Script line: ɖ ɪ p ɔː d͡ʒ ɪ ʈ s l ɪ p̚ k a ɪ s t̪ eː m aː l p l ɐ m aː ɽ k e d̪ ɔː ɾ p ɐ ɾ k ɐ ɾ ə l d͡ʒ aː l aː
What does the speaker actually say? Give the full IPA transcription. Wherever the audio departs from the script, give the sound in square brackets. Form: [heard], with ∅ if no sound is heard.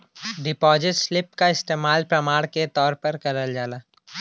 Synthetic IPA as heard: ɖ ɪ p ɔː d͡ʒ ɪ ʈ s l ɪ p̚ k a ɪ s t̪ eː m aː l p [ɾ] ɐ m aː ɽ k e [t̪] ɔː ɾ p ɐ ɾ k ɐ ɾ ə l d͡ʒ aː l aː